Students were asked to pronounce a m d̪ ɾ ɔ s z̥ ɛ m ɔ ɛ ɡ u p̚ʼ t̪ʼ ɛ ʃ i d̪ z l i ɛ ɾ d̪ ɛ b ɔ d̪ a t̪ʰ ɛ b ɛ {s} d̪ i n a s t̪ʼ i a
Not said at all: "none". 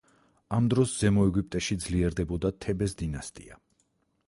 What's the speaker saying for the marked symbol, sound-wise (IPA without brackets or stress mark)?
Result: s